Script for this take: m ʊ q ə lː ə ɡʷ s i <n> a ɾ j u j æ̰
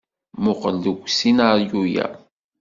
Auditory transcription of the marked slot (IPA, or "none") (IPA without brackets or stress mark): n